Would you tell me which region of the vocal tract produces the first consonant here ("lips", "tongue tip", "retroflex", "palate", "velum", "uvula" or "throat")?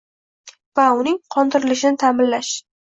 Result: lips